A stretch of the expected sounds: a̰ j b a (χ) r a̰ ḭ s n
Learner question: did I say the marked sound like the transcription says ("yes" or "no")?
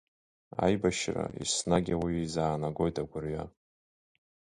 no